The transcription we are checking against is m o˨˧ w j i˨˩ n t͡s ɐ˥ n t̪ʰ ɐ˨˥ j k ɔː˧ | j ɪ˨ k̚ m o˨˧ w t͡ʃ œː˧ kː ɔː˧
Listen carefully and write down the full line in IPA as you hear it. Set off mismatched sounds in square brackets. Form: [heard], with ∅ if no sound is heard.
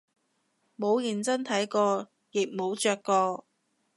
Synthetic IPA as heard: m o˨˧ w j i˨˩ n t͡s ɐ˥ n t̪ʰ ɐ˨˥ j k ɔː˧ | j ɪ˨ k̚ m o˨˧ w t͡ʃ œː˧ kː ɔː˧